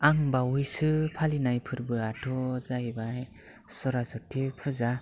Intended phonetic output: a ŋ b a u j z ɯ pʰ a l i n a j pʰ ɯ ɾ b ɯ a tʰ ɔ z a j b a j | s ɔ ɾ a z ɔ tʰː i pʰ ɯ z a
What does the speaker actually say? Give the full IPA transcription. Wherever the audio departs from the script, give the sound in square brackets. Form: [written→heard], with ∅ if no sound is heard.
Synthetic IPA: a ŋ b a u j [z→s] ɯ pʰ a l i n a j pʰ ɯ ɾ b ɯ a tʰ ɔ z a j b a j | s ɔ ɾ a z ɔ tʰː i pʰ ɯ z a